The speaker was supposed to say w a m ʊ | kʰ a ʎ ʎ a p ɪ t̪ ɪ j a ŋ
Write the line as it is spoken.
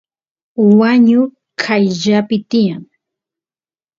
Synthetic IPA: w a ɲ ʊ | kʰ a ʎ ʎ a p ɪ t̪ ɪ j a ŋ